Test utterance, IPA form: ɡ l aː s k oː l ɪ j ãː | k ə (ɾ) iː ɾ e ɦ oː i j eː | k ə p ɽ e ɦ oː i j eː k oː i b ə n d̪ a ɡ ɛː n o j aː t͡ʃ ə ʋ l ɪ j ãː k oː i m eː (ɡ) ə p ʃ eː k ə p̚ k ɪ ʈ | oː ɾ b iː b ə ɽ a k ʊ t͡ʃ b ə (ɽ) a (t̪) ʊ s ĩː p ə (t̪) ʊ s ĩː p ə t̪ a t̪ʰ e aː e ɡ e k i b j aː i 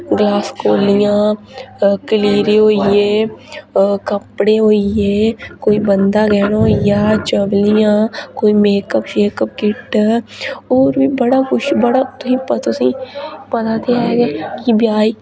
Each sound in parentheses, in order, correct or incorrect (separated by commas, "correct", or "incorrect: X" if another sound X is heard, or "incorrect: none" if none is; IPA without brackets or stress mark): incorrect: l, incorrect: k, correct, correct, correct